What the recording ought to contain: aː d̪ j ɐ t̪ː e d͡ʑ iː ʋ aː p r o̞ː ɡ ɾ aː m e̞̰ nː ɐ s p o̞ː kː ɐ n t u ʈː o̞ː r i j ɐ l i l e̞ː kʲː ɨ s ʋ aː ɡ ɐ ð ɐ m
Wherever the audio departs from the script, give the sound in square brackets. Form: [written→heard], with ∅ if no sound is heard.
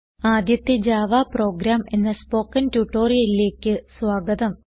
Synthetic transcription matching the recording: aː d̪ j ɐ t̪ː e d͡ʑ [iː→aː] ʋ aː p r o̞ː ɡ ɾ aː m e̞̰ nː ɐ s p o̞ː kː ɐ n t u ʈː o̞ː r i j ɐ l i l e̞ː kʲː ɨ s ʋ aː ɡ ɐ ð ɐ m